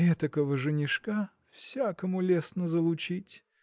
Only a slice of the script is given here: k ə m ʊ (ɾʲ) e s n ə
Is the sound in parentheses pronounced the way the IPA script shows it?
no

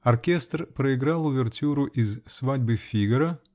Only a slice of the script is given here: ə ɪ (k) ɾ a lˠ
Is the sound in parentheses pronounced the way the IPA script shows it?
no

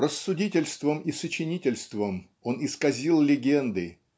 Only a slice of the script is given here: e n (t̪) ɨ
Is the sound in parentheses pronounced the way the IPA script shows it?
no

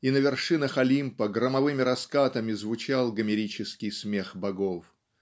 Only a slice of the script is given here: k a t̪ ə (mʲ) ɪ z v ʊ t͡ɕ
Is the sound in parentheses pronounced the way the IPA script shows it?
yes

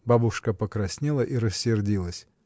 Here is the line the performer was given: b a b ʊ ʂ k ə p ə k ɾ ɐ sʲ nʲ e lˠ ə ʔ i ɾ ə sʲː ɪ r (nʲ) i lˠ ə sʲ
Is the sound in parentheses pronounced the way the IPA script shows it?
no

